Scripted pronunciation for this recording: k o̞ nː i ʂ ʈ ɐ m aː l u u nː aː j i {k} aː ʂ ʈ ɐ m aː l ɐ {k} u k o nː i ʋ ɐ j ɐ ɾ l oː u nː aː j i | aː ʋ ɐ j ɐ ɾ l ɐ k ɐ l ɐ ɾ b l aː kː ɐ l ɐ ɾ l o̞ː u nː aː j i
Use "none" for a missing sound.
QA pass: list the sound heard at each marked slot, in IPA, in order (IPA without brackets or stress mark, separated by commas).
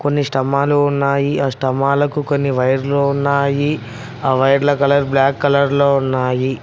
none, k